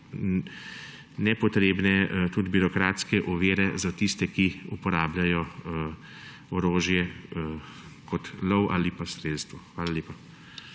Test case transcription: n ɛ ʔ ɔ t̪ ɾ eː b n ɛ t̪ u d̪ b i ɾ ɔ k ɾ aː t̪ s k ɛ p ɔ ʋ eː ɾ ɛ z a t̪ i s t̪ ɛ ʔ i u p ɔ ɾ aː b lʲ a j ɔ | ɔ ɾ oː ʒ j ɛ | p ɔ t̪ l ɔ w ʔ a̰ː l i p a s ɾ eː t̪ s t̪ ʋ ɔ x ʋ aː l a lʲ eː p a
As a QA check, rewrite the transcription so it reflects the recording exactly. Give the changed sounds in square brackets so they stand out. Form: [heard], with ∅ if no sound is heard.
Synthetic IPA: n ɛ [p] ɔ t̪ ɾ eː b n ɛ t̪ u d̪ b i ɾ ɔ k ɾ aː t̪ s k ɛ [ʔ] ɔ ʋ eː ɾ ɛ z a t̪ i s t̪ ɛ [k] i u p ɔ ɾ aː b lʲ a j ɔ | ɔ ɾ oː ʒ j ɛ | [k] ɔ t̪ l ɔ w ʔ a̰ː l i p a s ɾ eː t̪ s t̪ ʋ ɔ x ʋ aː l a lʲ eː p a